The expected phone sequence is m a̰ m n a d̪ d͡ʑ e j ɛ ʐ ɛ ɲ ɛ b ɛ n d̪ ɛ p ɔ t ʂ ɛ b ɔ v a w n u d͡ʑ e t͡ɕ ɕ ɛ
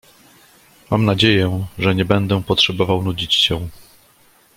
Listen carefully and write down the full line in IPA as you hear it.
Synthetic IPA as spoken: m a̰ m n a d͡ʑ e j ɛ ʐ ɛ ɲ ɛ b ɛ n d̪ ɛ p ɔ t ʂ ɛ b ɔ v a w n u d͡ʑ i t͡ɕ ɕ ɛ